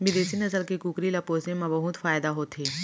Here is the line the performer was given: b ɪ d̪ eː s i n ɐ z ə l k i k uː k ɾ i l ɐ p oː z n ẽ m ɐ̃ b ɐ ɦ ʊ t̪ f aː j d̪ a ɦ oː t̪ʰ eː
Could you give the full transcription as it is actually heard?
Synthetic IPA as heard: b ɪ d̪ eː s i n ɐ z ə l k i k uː k ɾ i l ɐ p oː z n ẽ m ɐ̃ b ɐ ɦ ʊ t̪ f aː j d̪ a ɦ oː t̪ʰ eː

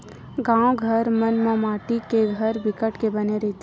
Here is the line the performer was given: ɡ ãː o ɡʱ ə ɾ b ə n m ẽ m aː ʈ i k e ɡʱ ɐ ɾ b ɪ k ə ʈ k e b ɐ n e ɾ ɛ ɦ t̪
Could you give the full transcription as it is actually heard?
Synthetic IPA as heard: ɡ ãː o ɡʱ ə ɾ m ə n m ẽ m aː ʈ i k e ɡʱ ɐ ɾ b ɪ k ə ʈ k e b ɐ n e ɾ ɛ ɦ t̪

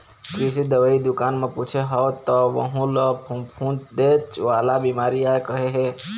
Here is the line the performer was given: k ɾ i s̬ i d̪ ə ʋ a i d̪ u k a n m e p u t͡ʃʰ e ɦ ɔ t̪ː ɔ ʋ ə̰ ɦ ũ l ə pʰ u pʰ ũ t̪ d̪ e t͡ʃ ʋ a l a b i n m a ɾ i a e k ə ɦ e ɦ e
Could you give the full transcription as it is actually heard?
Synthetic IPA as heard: k ɾ i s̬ i d̪ ə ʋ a i d̪ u k a n m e p u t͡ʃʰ e ɦ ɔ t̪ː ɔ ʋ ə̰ ɦ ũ l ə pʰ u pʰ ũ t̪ d̪ e t͡ʃ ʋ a l a b i m a ɾ i a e k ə ɦ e ɦ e

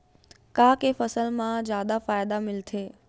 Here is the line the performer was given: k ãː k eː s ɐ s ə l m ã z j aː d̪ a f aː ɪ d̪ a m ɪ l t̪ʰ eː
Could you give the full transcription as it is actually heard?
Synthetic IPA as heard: k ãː k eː f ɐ s ə l m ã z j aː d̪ a f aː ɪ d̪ a m ɪ l t̪ʰ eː

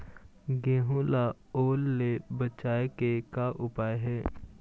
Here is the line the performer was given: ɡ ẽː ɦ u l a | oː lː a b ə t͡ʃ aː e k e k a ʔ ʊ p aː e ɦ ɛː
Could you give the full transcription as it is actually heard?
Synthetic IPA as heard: ɡ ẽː ɦ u l a | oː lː e b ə t͡ʃ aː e k e k a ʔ ʊ p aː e ɦ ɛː

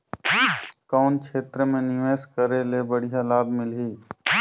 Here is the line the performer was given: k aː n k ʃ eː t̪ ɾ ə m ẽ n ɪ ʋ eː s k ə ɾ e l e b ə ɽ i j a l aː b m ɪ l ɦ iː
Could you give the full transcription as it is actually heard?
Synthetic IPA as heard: k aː n k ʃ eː t̪ ɾ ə m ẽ n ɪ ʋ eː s k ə ɾ e l e b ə ɽ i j a l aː b m ɪ l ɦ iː

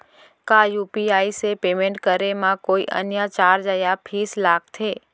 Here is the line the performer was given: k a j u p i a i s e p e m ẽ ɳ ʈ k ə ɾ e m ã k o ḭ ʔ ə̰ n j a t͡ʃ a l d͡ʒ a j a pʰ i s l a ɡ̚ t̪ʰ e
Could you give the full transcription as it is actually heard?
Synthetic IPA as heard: k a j u p i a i s e p e m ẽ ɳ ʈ k ə ɾ e m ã k o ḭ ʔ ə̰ n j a t͡ʃ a ɾ d͡ʒ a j a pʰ i s l a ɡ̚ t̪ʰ e

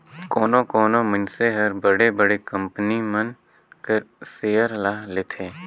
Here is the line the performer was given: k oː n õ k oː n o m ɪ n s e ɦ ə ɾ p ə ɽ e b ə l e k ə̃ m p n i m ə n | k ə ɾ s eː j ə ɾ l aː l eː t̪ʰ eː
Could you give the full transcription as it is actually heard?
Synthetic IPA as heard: k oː n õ k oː n o m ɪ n s e ɦ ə ɾ b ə ɽ e b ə ɽ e k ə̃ m p n i m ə n | k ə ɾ s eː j ə ɾ l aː l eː t̪ʰ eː

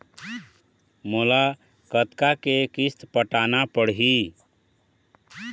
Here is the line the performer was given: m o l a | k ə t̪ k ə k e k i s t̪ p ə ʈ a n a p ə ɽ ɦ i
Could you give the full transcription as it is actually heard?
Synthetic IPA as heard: m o l a | k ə t̪ k a k e k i s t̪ p ə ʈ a n a p ə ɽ ɦ i

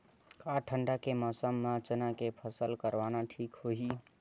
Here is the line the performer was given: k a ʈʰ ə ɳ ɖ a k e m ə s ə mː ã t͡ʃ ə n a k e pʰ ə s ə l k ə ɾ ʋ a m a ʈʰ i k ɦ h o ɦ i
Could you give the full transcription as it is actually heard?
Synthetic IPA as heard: k a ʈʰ ə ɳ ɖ a k e m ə s ə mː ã t͡ʃ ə n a k e pʰ ə s ə l k ə ɾ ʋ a n a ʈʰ i k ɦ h o ɦ i

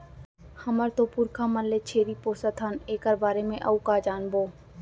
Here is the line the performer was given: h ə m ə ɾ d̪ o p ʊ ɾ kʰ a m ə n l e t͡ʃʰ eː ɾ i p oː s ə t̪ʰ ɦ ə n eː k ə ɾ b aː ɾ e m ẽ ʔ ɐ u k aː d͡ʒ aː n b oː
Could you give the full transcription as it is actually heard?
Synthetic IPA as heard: h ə m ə ɾ t̪ o p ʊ ɾ kʰ a m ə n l e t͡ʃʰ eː ɾ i p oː s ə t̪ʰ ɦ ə n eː k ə ɾ b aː ɾ e m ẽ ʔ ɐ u k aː d͡ʒ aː n b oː

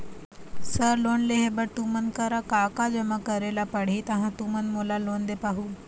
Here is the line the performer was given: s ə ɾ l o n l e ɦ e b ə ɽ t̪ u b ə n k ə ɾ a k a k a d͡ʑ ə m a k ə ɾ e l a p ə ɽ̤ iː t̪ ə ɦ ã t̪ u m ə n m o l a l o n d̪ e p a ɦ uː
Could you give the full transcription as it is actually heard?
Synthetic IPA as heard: s ə ɾ l o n l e ɦ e b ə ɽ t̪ u m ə n k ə ɾ a k a k a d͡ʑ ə m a k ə ɾ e l a p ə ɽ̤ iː t̪ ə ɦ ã t̪ u m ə n m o l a l o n d̪ e p a ɦ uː

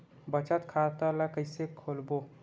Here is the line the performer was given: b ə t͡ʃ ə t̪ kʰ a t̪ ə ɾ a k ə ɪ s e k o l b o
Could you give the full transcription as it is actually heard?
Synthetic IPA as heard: b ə t͡ʃ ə t̪ kʰ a t̪ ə l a k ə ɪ s e kʰ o l b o

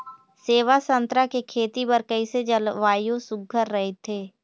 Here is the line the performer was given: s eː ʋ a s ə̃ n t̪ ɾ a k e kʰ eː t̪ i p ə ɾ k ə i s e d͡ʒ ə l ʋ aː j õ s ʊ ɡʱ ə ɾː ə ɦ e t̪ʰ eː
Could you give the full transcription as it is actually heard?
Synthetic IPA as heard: s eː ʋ a s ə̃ n t̪ ɾ a k e kʰ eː t̪ i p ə ɾ k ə i s e d͡ʒ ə l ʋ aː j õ s ʊ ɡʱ ə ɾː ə ɦ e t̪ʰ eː

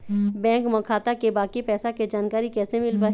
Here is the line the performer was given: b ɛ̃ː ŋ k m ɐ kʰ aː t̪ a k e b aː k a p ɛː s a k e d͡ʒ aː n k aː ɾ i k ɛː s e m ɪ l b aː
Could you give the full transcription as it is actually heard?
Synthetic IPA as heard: b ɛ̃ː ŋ k m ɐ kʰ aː t̪ a k e b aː k i p ɛː s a k e d͡ʒ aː n k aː ɾ i k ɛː s e m ɪ l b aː

